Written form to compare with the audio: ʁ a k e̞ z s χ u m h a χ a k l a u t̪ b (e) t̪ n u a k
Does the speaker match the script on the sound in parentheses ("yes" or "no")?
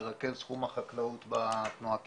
no